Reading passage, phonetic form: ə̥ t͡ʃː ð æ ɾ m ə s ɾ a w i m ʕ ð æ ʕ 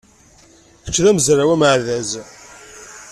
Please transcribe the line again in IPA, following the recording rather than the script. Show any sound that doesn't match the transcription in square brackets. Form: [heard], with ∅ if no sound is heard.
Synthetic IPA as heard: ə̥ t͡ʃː ð æ [∅] m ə [z] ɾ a w [æ] m ʕ ð æ [z]